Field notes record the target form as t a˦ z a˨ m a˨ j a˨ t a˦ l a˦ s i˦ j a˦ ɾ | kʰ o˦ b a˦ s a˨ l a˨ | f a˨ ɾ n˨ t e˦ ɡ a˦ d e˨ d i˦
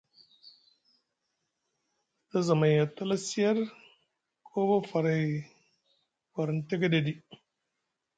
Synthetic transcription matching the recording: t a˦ z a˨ m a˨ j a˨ t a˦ l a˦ s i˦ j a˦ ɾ | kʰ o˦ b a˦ f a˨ ɾ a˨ | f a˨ ɾ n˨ t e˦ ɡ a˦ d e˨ d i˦

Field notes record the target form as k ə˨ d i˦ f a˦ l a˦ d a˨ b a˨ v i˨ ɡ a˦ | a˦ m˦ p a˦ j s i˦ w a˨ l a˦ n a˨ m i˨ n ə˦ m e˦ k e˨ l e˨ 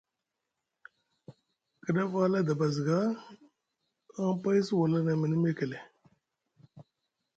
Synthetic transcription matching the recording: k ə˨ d a˦ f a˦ l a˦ d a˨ b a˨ z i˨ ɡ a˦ | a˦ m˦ p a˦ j s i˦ w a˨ l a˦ n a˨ m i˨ n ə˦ m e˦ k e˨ l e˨

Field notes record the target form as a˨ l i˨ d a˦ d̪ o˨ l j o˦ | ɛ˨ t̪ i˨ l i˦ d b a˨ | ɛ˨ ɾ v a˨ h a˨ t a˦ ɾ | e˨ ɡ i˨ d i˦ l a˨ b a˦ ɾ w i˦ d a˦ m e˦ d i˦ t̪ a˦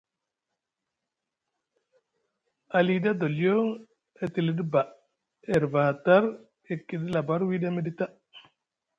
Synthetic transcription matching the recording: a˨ l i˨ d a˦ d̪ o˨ l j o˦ | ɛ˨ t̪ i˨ l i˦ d b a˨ | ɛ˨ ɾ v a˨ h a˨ t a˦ ɾ | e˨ k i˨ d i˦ l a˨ b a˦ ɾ w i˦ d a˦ m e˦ d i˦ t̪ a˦

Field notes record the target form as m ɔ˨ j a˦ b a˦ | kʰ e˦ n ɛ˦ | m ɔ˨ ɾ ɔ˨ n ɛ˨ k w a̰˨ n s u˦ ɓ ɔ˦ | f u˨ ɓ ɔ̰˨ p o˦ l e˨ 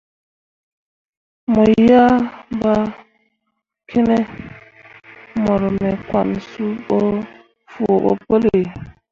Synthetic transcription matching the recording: m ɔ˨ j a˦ b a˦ | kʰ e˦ n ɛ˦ | m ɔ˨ ɾ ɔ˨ m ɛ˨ k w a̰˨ n s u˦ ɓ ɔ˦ | f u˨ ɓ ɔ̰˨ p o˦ l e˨

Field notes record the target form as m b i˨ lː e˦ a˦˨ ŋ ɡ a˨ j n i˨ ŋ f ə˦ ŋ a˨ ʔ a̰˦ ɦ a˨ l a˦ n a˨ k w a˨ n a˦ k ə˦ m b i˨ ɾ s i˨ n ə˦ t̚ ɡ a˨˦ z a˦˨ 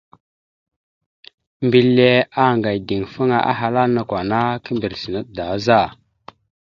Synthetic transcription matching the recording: m b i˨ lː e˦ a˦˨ ŋ ɡ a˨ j d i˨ ŋ f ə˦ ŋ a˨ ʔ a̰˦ ɦ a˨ l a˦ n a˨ k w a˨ n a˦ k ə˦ m b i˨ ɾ s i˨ n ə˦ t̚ d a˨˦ z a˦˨

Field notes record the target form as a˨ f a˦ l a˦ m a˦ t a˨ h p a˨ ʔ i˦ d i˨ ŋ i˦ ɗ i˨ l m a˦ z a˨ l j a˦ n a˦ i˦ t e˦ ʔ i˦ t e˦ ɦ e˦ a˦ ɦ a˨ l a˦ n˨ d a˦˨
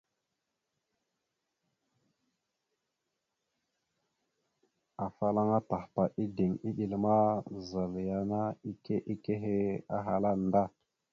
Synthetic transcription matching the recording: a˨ f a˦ l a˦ ŋ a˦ t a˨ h p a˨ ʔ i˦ d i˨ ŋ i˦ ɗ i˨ l m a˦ z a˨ l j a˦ n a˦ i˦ k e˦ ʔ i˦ k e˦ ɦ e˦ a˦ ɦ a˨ l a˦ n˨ d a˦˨

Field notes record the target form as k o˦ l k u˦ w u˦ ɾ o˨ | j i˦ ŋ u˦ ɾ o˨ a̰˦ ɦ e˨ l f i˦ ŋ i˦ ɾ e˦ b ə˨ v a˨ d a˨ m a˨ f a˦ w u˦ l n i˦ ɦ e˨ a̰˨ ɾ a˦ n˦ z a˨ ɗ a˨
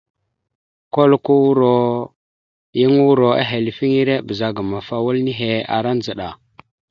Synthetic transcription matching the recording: k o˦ l k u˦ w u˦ ɾ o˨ | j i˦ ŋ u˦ ɾ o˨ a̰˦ ɦ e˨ l f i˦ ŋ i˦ ɾ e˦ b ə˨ z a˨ ɡ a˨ m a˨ f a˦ w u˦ l n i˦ ɦ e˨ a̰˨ ɾ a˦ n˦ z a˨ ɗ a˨

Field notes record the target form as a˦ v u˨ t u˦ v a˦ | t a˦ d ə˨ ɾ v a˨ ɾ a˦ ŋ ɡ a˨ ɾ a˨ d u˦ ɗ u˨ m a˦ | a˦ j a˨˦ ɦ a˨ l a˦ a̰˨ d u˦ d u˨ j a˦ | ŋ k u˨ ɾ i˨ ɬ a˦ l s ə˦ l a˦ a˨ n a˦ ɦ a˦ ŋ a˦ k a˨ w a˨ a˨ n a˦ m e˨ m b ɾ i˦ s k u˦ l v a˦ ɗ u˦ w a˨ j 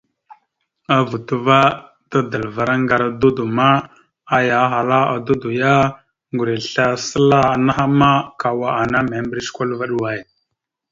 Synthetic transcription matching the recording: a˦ v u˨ t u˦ v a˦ | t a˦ d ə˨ l v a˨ ɾ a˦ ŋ ɡ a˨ ɾ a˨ d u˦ d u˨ m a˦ | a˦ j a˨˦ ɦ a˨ l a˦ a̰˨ d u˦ d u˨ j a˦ | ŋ ɡ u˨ ɾ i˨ ɬ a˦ s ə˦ l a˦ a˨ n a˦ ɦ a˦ m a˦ k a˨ w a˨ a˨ n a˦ m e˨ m b ɾ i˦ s k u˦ l v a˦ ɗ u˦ w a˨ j

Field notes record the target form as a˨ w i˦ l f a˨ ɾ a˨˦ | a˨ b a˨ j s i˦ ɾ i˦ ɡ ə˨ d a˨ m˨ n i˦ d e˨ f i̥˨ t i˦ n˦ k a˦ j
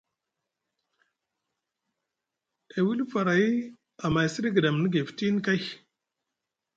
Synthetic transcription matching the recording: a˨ w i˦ l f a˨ ɾ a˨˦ | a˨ m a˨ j s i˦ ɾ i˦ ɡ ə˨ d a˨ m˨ n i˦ ɡ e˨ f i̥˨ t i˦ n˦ k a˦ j

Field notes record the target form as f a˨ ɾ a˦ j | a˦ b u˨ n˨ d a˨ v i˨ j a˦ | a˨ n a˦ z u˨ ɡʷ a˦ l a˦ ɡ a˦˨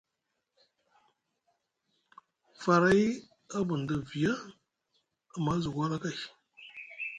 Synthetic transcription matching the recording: f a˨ ɾ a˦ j | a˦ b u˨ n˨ d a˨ v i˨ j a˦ | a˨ m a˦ z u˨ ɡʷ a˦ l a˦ k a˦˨

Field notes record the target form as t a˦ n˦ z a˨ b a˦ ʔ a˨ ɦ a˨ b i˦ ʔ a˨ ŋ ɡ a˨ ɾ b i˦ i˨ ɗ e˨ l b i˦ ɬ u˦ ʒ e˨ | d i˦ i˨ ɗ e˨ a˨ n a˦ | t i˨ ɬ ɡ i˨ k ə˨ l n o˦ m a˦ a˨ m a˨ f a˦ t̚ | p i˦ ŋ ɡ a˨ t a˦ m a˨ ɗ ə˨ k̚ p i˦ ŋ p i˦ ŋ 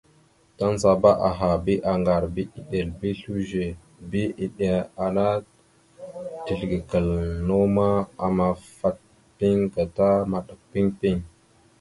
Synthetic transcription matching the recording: t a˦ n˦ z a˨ b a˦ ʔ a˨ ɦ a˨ b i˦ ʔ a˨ ŋ ɡ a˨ ɾ b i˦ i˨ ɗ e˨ l b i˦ ɬ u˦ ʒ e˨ | b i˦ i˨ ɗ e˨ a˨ n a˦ | t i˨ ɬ ɡ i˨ k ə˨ l n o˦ m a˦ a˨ m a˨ f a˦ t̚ | p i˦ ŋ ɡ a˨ t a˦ m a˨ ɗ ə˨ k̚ p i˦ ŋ p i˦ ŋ

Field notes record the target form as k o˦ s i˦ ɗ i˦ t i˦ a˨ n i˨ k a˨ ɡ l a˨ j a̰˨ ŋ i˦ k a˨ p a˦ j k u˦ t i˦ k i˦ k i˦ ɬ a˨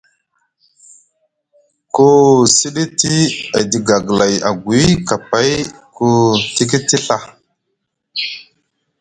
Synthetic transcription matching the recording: k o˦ s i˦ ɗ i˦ t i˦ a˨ d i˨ ɡ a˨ ɡ l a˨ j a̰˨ ɡ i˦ k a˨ p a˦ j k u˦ t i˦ k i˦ t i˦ ɬ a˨

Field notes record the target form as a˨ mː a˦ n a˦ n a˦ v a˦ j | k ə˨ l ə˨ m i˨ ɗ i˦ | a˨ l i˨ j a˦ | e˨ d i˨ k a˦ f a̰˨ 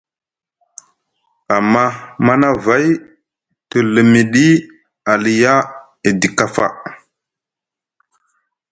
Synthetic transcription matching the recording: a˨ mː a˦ m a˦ n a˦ v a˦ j | t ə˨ l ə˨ m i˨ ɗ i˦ | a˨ l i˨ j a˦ | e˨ d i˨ k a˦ f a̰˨

